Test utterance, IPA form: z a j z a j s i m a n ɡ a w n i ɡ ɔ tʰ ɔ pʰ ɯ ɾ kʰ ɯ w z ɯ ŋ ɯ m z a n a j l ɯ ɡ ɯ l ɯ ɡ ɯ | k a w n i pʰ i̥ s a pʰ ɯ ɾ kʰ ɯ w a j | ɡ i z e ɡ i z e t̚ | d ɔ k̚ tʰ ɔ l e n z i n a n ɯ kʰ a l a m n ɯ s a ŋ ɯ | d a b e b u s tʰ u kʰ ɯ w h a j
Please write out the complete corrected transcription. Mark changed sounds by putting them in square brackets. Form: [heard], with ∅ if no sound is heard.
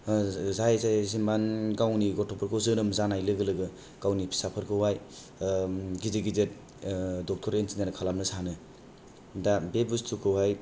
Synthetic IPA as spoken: z a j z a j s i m a n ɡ a w n i ɡ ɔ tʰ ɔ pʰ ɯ ɾ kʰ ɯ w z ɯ [n] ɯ m z a n a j l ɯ ɡ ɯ l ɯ ɡ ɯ | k a w n i pʰ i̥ s a pʰ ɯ ɾ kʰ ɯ w a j | ɡ i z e ɡ i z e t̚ | d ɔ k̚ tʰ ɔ [ɾ] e n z i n a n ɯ kʰ a l a m n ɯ s a [n] ɯ | d a b e b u s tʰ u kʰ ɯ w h a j